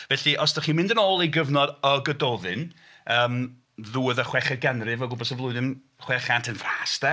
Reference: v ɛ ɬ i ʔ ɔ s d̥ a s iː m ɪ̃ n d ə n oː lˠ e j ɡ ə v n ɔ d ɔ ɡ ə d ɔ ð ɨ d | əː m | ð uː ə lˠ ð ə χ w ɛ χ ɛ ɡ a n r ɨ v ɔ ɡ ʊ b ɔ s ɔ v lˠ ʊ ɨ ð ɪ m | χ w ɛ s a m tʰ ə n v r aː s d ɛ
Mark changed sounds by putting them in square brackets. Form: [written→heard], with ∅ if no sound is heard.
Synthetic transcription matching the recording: v ɛ ɬ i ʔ ɔ s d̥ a [s→χ] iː m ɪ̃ n d ə n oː lˠ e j ɡ ə v n ɔ d ɔ ɡ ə d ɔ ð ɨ [d→n] | əː m | ð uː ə [lˠ→∅] ð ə χ w ɛ χ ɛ ɡ a n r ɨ v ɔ ɡ ʊ b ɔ s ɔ v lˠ ʊ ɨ ð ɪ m | χ w ɛ [s→χ] a [m→n] tʰ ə n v r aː s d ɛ